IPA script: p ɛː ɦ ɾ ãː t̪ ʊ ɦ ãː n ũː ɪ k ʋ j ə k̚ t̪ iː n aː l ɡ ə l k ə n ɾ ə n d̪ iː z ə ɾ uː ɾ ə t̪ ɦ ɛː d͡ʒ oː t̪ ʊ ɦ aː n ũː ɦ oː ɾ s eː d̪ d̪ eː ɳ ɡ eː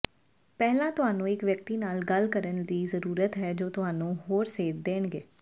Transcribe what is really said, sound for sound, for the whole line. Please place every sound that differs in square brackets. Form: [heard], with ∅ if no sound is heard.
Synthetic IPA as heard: p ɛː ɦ [l] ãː t̪ ʊ ɦ [aː] n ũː ɪ k ʋ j ə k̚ t̪ iː n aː l ɡ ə l k ə [∅] ɾ ə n d̪ iː z ə ɾ uː ɾ ə t̪ ɦ ɛː d͡ʒ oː t̪ ʊ ɦ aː n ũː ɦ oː ɾ s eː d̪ d̪ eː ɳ ɡ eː